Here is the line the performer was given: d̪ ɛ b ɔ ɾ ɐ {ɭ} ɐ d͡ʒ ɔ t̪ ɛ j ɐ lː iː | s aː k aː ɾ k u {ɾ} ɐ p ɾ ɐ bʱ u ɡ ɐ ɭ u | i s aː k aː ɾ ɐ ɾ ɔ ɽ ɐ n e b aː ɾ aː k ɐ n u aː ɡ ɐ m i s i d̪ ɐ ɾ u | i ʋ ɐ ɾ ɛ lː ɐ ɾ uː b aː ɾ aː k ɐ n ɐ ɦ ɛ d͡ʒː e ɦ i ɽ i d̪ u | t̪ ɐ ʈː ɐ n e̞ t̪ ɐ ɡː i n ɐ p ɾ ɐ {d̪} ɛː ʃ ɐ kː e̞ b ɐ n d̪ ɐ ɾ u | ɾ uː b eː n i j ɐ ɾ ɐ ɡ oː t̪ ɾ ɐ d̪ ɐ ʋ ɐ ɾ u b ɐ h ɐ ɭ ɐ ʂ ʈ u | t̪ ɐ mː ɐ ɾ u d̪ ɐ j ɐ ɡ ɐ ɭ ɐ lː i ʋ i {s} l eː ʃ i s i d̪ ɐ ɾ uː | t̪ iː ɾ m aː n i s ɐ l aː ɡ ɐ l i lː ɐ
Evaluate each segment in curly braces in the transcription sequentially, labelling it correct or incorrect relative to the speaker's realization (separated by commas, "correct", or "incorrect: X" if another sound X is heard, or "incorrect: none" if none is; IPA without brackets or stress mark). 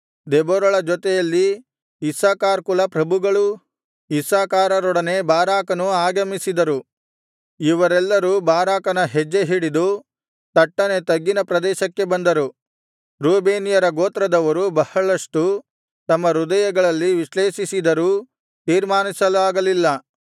correct, incorrect: l, correct, incorrect: ʃ